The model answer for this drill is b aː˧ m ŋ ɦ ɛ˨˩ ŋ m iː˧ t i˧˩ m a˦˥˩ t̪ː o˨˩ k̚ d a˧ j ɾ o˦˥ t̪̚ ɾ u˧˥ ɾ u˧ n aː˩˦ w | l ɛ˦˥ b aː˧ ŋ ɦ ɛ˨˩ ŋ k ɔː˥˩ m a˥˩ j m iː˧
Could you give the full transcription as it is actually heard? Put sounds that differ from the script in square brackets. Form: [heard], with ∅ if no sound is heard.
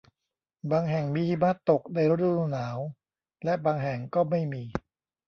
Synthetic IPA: b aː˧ [∅] ŋ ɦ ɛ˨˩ ŋ m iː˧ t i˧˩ m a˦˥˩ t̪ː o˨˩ k̚ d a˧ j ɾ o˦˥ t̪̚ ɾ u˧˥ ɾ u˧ n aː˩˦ w | l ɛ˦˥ b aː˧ ŋ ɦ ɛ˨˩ ŋ k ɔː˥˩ m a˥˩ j m iː˧